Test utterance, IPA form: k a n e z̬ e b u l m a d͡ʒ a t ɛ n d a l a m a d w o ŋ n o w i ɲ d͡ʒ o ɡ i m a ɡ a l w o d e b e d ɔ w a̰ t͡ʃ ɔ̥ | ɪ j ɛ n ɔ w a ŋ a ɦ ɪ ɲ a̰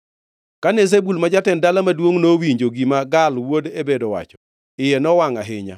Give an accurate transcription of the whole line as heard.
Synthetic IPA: k a n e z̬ e b u l m a d͡ʒ a t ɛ n d a l a m a d w o ŋ n o w i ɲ d͡ʒ o ɡ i m a ɡ a l w o d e b e d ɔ w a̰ t͡ʃ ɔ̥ | ɪ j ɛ n ɔ w a ŋ a ɦ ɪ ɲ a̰